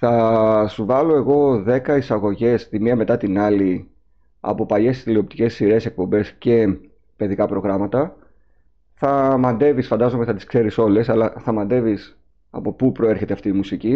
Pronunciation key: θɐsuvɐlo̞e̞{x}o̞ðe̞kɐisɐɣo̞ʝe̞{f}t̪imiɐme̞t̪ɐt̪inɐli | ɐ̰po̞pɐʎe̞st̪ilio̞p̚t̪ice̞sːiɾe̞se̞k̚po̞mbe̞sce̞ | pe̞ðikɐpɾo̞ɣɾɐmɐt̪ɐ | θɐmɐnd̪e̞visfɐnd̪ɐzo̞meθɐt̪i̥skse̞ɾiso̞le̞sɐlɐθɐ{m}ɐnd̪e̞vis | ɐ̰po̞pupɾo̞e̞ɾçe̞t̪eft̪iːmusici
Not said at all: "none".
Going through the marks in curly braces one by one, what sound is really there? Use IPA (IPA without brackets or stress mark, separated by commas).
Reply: ɣ, s, m